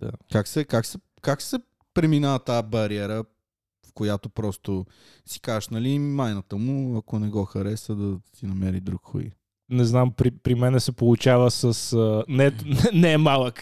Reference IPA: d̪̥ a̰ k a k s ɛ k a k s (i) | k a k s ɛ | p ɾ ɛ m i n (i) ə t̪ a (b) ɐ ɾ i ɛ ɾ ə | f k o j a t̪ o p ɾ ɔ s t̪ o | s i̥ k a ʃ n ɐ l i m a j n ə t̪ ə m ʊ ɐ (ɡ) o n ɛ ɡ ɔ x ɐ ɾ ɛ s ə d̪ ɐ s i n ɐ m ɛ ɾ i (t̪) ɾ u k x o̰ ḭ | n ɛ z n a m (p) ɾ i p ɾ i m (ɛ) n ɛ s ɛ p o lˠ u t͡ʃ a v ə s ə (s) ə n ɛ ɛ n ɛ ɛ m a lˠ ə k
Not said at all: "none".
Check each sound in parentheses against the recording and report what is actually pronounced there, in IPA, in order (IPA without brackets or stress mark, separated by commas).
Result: ɛ, a, b, k, d̪, p, ɛ, s